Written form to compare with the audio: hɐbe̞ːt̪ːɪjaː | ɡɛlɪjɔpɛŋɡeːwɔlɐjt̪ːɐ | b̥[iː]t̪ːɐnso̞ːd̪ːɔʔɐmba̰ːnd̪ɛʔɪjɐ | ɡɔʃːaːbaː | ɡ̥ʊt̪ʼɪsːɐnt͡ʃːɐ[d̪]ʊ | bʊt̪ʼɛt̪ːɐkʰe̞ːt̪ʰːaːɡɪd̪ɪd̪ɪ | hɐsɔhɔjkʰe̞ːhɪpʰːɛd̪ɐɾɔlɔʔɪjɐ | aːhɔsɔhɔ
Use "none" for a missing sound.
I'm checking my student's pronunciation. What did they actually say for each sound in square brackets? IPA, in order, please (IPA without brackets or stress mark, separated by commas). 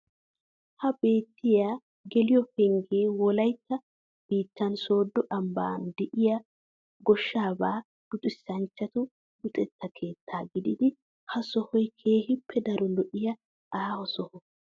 iː, t̪